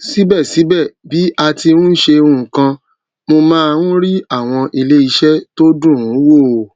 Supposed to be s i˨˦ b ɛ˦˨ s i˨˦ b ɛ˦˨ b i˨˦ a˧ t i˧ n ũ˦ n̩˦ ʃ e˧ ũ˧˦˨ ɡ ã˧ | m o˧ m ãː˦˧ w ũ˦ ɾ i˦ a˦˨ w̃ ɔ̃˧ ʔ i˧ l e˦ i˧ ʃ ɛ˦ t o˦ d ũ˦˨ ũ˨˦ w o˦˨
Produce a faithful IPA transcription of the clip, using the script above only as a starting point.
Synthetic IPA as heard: s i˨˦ b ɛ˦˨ s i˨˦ b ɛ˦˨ b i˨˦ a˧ t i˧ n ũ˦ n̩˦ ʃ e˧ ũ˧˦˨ k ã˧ | m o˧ m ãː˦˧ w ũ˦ ɾ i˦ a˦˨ w̃ ɔ̃˧ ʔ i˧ l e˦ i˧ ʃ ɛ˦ t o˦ d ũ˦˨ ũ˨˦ w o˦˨